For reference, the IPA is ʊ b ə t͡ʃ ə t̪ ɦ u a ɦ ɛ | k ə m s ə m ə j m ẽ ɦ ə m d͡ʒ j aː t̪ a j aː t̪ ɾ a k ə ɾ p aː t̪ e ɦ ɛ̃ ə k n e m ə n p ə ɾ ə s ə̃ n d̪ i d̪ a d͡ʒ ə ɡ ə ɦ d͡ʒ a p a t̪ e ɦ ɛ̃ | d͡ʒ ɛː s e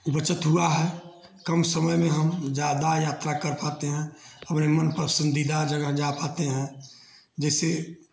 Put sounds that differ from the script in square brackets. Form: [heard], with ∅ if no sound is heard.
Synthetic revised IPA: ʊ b ə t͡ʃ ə t̪ ɦ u a ɦ ɛ | k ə m s ə m ə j m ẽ ɦ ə m d͡ʒ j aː [d̪] a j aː t̪ ɾ a k ə ɾ p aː t̪ e ɦ ɛ̃ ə [p] n e m ə n p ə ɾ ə s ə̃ n d̪ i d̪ a d͡ʒ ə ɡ ə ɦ d͡ʒ a p a t̪ e ɦ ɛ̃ | d͡ʒ ɛː s e